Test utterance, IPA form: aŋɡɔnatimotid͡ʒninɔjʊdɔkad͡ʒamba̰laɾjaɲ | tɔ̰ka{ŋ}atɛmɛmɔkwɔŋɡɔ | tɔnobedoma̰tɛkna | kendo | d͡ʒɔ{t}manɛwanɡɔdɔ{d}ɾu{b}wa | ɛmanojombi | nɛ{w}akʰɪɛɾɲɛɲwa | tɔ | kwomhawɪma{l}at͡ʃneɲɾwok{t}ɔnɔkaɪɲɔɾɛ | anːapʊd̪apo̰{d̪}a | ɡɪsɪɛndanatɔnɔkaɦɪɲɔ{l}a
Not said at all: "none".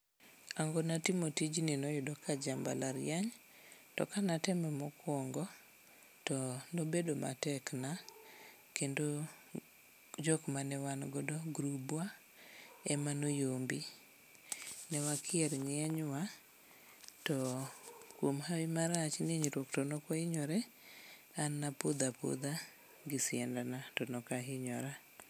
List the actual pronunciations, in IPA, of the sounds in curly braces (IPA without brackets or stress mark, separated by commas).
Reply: n, k, ɡ, b, w, ɾ, t, d̪, ɾ